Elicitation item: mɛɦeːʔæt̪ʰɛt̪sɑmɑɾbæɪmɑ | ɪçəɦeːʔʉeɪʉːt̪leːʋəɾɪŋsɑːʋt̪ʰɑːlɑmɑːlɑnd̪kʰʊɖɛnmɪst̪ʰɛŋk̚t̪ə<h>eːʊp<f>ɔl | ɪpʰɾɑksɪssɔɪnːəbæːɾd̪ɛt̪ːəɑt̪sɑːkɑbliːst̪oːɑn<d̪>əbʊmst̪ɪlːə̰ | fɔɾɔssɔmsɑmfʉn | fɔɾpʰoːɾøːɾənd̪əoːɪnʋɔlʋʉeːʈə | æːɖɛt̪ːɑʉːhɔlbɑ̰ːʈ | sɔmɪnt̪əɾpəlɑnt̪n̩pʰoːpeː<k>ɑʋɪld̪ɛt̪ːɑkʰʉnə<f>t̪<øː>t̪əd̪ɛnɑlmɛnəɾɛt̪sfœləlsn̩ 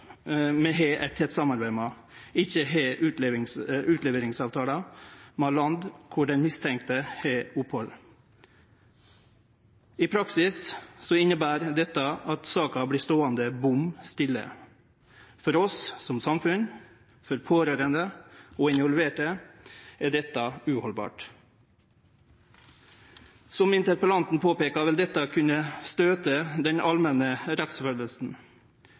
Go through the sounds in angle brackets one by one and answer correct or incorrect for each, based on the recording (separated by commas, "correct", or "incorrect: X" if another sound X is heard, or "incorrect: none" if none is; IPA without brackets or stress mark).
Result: correct, incorrect: h, correct, correct, incorrect: s, correct